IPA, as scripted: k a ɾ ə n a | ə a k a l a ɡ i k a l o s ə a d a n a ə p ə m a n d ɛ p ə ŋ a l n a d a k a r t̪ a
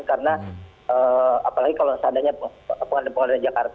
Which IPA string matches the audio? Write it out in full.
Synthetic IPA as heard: k a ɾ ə n a | ə a p a l a ɡ i k a l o s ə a d a ɲ a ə p ə ŋ a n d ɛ p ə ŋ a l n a d͡ʒ a k a r t̪ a